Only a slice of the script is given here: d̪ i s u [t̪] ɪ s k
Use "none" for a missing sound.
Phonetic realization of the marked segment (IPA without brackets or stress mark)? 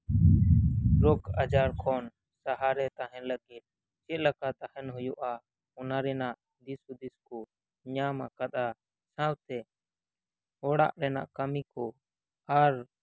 d̪